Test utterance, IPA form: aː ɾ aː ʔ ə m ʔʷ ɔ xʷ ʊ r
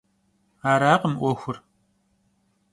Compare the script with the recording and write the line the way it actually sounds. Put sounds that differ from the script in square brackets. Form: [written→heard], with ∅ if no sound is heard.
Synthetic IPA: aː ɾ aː [ʔ→q] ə m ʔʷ ɔ xʷ ʊ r

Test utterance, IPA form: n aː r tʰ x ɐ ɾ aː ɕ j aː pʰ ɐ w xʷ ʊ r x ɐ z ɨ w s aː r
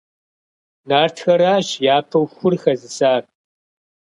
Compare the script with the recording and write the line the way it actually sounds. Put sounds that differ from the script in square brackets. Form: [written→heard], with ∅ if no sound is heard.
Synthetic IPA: n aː r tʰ x ɐ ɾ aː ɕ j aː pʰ ɐ w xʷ ʊ r x ɐ z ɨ [w→∅] s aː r

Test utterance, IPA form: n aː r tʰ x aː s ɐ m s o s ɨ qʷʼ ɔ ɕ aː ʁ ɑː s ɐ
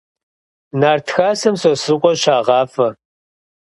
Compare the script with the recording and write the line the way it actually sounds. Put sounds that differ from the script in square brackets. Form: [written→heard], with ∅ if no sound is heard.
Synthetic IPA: n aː r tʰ x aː s ɐ m s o s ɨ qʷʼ ɔ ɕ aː ʁ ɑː [s→f] ɐ

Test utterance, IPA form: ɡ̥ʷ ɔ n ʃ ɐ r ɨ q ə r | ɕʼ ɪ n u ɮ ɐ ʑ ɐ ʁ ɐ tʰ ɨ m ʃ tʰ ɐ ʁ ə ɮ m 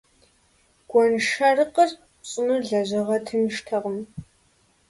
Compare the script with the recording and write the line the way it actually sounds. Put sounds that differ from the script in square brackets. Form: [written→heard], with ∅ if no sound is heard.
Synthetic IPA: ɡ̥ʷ ɔ n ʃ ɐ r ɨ q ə r | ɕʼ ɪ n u ɮ ɐ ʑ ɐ ʁ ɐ tʰ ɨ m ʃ tʰ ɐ ʁ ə [ɮ→∅] m

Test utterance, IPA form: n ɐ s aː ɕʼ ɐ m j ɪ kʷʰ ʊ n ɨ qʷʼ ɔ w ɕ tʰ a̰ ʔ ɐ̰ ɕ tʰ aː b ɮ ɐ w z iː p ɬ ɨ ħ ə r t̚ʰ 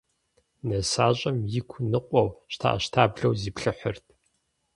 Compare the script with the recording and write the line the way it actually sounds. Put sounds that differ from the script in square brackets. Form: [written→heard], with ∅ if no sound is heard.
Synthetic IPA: n ɐ s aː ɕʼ ɐ m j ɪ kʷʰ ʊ n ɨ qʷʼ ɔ w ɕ tʰ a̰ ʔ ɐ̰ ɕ tʰ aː b ɮ ɐ w z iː p ɬ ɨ ħ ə r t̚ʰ

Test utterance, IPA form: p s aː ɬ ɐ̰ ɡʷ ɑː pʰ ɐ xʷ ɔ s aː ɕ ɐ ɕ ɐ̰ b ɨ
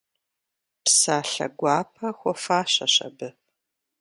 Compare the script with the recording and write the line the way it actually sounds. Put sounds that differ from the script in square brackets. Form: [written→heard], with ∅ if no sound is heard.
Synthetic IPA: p s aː ɬ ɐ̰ ɡʷ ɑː pʰ ɐ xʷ ɔ [s→f] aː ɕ ɐ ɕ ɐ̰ b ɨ

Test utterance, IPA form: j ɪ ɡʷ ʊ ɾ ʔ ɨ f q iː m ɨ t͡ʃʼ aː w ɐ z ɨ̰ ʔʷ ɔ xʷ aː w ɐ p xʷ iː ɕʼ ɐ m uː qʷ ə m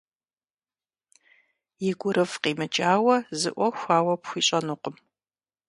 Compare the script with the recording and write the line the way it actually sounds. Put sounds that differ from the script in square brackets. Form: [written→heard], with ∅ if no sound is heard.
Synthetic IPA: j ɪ ɡʷ ʊ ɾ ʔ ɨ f q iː m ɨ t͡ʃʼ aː w ɐ z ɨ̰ ʔʷ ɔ xʷ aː w ɐ p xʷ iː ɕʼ ɐ [m→n] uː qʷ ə m

